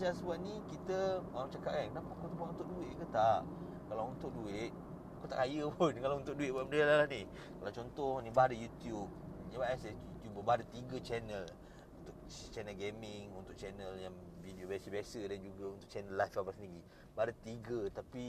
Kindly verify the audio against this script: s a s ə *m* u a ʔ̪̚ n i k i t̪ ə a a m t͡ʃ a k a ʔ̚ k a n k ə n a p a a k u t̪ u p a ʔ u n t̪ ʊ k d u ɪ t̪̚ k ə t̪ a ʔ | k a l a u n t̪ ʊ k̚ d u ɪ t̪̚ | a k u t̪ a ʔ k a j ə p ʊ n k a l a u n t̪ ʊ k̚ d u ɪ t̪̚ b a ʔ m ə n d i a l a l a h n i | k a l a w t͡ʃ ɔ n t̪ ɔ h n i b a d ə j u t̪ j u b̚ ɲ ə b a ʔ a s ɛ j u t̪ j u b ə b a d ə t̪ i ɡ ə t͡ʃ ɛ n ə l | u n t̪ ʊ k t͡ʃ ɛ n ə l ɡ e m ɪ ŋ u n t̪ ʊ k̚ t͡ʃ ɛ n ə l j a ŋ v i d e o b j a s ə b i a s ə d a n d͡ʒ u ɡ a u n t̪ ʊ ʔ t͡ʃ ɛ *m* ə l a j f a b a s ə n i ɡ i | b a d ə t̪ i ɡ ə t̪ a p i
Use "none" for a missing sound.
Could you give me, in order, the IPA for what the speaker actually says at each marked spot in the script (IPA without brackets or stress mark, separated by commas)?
b, n